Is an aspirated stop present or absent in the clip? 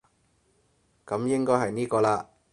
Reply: absent